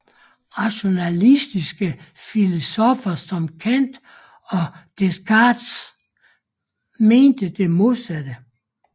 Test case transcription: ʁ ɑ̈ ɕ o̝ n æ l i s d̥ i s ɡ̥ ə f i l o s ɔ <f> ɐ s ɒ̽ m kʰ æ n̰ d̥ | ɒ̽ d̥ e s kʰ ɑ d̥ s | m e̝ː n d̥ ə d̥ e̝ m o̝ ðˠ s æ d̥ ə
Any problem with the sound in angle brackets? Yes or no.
no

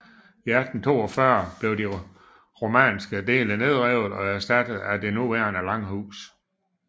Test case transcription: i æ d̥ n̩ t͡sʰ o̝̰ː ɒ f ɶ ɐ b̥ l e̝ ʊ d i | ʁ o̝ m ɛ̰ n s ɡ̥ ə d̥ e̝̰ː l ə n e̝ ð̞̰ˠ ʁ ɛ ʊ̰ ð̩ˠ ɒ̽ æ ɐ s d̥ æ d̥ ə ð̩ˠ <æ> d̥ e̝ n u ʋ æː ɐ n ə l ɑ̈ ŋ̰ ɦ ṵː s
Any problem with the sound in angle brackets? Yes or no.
no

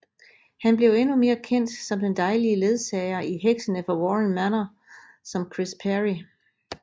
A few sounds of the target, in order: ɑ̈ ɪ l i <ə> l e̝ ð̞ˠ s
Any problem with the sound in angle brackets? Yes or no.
no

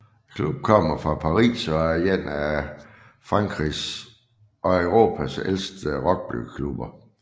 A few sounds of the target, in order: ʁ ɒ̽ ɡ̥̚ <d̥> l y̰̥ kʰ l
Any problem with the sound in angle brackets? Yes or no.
yes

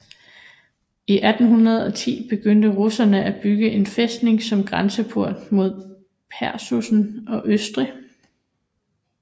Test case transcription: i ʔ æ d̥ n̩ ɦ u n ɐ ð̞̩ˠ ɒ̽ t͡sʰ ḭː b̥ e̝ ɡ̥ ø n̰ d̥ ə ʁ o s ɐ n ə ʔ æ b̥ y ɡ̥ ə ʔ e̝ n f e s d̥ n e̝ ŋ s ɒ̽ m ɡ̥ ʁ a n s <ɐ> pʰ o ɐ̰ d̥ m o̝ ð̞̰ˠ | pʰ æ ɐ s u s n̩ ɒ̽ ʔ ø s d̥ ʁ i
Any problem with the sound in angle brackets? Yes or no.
yes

